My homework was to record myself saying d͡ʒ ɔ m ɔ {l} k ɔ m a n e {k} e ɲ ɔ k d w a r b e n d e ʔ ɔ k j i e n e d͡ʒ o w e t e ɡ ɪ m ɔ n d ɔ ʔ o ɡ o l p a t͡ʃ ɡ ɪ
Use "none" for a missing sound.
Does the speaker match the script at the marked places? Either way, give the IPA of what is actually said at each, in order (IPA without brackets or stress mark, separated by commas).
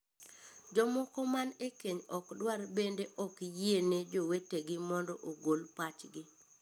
none, k